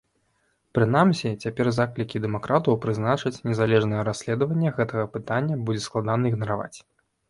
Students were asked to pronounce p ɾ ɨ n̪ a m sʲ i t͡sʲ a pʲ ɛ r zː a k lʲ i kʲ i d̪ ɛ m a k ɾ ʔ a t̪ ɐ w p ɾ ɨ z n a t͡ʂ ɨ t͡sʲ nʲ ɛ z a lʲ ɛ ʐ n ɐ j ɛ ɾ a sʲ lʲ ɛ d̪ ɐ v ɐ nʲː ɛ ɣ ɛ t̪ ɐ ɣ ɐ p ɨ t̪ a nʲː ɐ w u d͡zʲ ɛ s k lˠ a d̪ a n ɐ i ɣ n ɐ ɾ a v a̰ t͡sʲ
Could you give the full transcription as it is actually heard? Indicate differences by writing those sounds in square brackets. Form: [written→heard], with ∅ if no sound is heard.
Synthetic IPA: p ɾ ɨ n̪ a m sʲ i t͡sʲ a pʲ ɛ r [zː→z] a k lʲ i kʲ i d̪ ɛ m a k ɾ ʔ a t̪ ɐ w p ɾ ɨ z n a t͡ʂ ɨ t͡sʲ nʲ ɛ z a lʲ ɛ ʐ n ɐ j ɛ ɾ a sʲ lʲ ɛ d̪ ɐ v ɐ nʲː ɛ ɣ ɛ t̪ ɐ ɣ ɐ p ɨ t̪ a nʲː ɐ [w→b] u d͡zʲ ɛ s k lˠ a d̪ a n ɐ i ɣ n ɐ ɾ a v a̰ t͡sʲ